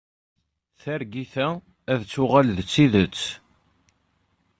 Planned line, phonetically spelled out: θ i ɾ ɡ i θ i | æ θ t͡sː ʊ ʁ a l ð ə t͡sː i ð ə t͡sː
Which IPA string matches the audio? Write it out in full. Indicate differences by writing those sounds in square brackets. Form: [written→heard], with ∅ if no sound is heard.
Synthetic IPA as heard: θ [i→æ] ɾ ɡ i θ [i→æ] | æ [θ→ð] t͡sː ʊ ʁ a l ð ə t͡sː i ð ə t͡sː